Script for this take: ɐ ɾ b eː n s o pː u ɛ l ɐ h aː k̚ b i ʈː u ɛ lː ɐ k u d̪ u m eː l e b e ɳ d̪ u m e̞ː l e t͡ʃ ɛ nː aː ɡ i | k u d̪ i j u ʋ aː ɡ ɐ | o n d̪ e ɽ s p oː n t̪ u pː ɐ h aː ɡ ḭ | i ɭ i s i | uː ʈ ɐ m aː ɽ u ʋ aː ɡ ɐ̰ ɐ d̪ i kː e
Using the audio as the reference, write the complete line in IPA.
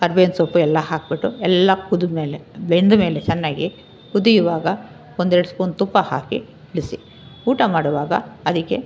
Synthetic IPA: ɐ ɾ b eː n s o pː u ɛ lː ɐ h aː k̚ b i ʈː u ɛ lː ɐ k u d̪ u m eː l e b e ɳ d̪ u m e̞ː l e t͡ʃ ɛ nː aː ɡ i | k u d̪ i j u ʋ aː ɡ ɐ | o n d̪ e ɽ s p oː n t̪ u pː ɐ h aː k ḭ | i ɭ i s i | uː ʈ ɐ m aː ɽ u ʋ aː ɡ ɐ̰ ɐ d̪ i kː e